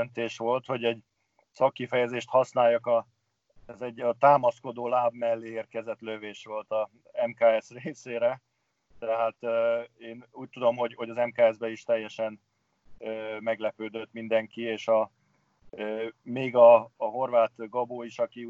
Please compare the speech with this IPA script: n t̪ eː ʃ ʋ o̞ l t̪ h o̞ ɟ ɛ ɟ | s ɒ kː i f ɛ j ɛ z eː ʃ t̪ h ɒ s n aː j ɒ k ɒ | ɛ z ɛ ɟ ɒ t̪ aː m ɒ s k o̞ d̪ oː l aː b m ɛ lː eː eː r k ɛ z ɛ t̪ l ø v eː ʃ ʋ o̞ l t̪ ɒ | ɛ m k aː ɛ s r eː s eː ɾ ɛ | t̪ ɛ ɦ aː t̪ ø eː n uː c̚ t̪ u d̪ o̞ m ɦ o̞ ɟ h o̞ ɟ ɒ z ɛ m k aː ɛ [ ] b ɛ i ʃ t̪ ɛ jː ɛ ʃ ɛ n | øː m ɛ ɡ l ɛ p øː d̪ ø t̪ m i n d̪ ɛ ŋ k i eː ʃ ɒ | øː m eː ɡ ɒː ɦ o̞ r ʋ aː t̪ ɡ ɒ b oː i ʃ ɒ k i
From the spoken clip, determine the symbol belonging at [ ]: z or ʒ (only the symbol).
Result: z